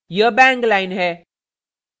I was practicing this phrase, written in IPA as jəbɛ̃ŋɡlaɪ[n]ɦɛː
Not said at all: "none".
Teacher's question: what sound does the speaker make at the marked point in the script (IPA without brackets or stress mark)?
n